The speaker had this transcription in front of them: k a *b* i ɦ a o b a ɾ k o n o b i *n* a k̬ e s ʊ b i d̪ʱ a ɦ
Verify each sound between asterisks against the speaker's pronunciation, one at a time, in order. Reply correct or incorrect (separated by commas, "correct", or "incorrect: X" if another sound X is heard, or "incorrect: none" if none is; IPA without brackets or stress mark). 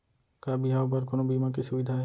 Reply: correct, incorrect: m